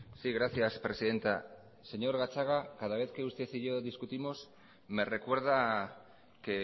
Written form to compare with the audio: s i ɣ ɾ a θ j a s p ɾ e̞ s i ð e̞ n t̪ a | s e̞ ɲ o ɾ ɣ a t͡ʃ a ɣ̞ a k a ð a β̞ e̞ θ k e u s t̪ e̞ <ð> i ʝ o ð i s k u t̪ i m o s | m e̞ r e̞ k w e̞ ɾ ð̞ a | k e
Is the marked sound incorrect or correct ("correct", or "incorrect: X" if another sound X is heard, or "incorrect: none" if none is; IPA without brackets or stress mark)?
incorrect: θ